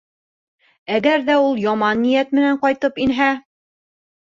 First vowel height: low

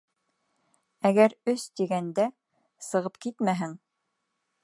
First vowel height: low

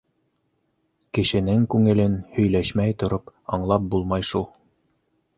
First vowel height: mid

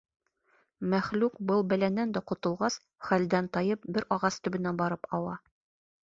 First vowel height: low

